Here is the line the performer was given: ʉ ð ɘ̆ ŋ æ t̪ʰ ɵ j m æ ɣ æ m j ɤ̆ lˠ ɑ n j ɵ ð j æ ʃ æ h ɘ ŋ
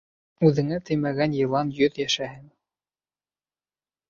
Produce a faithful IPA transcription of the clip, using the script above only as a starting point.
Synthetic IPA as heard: ʉ ð ɘ̆ ŋ æ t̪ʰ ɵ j m æ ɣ æ n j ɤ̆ lˠ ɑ n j ɵ ð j æ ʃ æ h ɘ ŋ